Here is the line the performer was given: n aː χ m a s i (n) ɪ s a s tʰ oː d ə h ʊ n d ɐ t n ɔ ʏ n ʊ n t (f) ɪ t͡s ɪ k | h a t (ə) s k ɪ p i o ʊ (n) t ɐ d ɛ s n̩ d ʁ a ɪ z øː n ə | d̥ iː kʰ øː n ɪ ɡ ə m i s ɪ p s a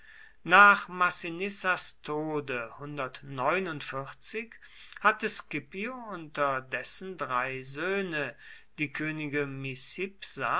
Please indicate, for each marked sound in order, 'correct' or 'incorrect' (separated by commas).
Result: correct, correct, correct, correct